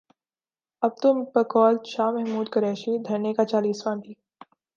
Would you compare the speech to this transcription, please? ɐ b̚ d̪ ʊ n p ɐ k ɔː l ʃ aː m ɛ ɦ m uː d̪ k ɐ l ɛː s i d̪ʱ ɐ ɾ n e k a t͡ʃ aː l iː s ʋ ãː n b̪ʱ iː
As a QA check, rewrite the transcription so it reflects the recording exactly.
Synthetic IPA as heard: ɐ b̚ t̪ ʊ m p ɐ k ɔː l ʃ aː m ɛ ɦ m uː d̪ k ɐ ɾ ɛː ʃ i d̪ʱ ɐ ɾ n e k a t͡ʃ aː l iː s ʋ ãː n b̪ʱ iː